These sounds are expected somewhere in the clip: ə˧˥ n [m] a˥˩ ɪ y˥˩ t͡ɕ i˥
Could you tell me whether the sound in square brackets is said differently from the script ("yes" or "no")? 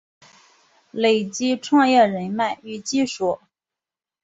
no